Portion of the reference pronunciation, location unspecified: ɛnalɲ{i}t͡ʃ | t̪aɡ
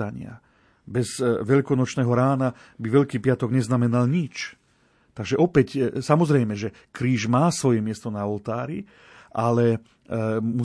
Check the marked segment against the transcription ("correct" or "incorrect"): correct